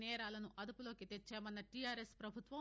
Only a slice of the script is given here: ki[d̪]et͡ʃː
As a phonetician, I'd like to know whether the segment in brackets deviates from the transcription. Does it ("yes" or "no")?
yes